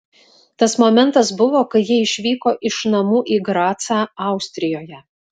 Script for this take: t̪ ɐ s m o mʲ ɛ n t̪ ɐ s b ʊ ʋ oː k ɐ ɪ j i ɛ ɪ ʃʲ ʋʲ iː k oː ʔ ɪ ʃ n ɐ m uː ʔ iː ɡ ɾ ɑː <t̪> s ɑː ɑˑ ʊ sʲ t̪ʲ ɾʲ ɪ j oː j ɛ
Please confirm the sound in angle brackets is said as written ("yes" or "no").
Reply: yes